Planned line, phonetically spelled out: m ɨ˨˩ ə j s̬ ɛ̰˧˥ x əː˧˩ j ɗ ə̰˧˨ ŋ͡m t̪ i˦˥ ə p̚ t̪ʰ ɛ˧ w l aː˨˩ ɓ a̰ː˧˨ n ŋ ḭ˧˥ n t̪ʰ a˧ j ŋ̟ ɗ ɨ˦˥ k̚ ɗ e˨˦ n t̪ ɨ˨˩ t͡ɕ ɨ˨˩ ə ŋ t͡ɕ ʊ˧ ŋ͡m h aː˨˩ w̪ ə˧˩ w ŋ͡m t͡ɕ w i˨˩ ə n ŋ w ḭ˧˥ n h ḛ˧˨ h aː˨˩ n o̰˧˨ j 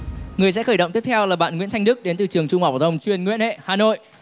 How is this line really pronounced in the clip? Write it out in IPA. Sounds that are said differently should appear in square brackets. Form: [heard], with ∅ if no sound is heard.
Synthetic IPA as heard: [ŋ] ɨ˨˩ ə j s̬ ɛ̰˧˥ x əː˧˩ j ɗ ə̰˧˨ ŋ͡m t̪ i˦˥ ə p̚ t̪ʰ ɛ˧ w l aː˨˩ ɓ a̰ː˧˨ n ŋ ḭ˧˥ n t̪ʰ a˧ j ŋ̟ ɗ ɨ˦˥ k̚ ɗ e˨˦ n t̪ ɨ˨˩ t͡ɕ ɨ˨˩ ə ŋ t͡ɕ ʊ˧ ŋ͡m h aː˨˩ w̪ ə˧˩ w ŋ͡m t͡ɕ w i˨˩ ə n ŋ w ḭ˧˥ n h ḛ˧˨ h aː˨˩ n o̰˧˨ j